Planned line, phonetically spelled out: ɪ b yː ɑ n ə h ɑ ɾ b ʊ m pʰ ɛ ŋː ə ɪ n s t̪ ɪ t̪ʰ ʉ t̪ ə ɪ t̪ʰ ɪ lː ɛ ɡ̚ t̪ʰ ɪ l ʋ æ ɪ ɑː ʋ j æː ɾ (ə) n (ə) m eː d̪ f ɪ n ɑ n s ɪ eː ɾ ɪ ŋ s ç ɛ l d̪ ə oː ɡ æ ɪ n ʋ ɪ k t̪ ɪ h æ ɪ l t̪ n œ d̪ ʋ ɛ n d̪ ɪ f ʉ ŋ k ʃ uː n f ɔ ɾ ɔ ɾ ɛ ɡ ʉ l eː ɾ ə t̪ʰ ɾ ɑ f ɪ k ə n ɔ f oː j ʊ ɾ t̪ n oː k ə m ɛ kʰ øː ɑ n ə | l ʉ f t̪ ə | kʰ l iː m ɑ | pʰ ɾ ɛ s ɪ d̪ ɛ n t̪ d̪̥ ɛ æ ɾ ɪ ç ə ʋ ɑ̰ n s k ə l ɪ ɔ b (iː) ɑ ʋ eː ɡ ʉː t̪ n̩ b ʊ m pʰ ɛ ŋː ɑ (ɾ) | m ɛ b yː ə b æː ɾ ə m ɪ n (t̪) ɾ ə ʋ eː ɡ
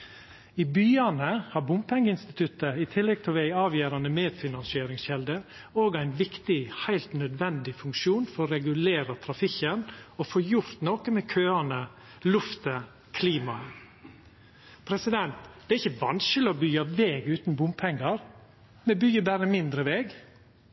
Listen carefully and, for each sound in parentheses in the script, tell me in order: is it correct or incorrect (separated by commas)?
incorrect, correct, incorrect, correct, incorrect